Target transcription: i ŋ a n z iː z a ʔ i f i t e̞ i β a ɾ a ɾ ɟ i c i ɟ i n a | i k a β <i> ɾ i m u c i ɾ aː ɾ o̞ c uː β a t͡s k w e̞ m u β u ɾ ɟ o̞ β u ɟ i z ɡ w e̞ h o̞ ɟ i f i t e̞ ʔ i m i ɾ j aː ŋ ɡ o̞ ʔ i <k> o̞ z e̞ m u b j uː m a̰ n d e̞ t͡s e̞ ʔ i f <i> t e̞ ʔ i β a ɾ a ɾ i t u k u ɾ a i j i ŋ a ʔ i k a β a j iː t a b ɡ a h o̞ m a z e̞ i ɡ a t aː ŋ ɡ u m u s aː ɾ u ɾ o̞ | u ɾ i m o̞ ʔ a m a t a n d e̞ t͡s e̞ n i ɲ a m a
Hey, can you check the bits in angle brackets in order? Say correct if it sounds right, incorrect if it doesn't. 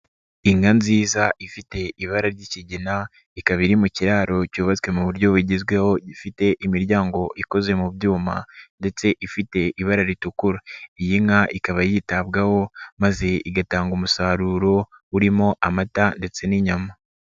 correct, correct, correct

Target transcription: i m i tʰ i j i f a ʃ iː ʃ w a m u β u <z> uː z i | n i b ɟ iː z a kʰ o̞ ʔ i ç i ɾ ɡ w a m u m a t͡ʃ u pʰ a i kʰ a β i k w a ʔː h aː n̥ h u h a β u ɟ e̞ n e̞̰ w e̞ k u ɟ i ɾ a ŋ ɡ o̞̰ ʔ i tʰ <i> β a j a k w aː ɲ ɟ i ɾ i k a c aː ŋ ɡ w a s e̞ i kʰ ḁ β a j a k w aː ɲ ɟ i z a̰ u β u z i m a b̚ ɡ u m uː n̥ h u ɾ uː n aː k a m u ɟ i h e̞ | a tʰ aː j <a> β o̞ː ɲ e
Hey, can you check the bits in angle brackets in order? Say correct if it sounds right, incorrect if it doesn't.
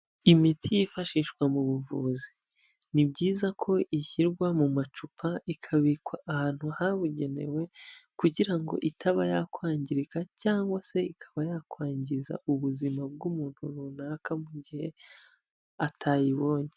incorrect, incorrect, incorrect

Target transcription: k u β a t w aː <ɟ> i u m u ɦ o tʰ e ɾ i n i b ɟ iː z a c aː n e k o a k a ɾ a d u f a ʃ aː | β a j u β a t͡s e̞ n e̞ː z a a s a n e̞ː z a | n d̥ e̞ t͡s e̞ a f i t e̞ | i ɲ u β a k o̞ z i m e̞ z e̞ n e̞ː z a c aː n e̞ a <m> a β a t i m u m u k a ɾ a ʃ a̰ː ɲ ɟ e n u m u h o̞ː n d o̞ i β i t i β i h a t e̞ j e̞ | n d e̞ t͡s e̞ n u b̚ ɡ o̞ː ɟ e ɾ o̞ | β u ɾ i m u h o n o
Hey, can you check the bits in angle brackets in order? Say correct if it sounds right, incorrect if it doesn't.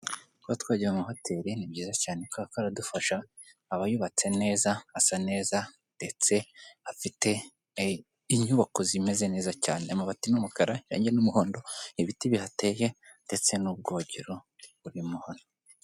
correct, correct

